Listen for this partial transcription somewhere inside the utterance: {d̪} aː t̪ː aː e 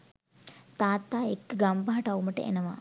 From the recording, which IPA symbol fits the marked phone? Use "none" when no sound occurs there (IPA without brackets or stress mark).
t̪